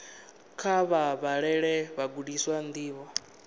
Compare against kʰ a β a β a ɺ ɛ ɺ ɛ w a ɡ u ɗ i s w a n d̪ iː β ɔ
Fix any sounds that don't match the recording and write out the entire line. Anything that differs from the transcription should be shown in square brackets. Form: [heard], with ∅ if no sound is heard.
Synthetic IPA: kʰ a β a β a ɺ ɛ ɺ ɛ [β] a ɡ u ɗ i s w a n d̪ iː β ɔ